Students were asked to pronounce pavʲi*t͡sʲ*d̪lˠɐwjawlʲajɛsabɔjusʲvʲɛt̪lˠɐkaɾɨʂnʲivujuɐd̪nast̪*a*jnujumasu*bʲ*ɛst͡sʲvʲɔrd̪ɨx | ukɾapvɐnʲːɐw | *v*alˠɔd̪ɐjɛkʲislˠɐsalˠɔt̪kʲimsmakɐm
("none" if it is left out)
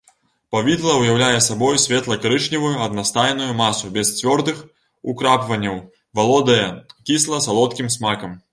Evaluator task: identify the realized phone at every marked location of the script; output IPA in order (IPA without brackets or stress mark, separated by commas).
none, a, bʲ, v